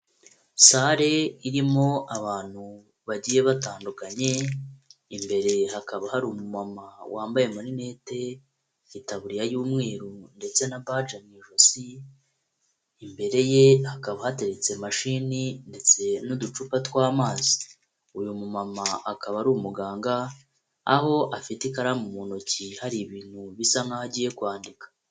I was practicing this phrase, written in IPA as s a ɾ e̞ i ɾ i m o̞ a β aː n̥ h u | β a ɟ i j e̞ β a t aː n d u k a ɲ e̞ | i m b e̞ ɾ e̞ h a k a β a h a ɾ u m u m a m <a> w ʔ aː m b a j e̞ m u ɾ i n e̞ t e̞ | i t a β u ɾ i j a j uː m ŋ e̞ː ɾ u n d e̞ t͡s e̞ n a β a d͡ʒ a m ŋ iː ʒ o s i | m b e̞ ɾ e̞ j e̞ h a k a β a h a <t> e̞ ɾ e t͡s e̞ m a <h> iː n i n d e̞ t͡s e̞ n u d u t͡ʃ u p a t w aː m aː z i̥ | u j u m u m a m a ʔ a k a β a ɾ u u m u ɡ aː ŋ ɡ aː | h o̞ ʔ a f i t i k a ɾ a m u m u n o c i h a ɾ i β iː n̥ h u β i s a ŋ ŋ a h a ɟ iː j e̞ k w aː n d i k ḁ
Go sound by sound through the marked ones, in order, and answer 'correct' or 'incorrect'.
correct, correct, incorrect: ʃ

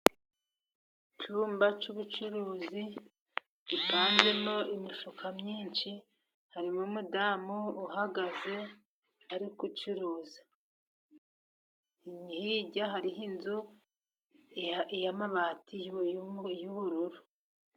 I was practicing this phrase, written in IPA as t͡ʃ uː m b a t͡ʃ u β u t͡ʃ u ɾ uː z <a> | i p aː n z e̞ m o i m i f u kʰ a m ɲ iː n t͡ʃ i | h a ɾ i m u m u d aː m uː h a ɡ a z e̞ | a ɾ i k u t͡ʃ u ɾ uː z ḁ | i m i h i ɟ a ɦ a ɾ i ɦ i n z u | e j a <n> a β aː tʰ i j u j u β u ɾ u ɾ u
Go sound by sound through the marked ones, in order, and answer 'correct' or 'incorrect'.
incorrect: i, incorrect: m

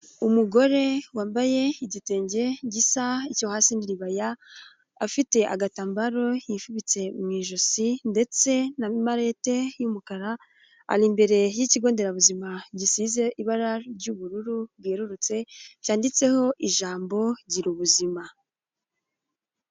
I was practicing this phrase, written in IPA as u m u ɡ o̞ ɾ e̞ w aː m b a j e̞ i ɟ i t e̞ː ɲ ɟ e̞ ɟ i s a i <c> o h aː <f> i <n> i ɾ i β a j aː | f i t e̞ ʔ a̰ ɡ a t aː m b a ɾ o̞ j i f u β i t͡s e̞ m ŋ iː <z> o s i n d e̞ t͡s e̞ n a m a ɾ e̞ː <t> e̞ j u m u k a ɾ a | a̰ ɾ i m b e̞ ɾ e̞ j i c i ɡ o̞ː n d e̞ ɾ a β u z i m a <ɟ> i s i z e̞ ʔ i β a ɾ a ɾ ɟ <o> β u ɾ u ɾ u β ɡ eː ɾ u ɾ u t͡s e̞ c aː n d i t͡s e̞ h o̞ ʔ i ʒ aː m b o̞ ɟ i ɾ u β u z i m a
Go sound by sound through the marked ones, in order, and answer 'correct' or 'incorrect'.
correct, incorrect: s, correct, incorrect: ʒ, correct, correct, incorrect: u

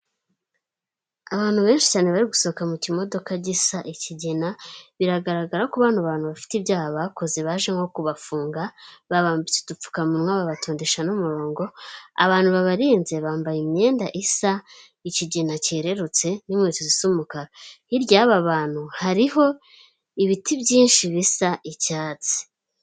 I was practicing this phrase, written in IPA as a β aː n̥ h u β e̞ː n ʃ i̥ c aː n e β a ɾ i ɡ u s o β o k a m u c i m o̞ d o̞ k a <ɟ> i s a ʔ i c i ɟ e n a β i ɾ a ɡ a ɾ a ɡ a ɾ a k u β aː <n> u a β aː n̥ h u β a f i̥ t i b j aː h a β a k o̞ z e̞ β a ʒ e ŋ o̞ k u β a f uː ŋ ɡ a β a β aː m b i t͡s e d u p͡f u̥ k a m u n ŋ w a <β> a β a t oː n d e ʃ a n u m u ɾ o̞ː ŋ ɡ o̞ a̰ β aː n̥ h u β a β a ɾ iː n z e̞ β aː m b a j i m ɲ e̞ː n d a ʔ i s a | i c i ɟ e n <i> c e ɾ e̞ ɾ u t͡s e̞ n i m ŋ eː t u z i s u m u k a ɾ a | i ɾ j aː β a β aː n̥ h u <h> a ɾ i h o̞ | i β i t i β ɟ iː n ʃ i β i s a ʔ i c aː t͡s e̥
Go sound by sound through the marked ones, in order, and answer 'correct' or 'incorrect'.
correct, correct, correct, incorrect: a, correct

